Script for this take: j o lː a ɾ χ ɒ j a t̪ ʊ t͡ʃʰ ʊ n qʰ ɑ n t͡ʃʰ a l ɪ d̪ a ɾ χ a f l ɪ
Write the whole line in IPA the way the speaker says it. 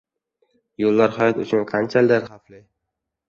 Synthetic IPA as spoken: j o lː a ɾ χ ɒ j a t̪ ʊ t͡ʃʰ ʊ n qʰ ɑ n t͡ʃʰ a l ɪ d̪ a ɾ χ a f l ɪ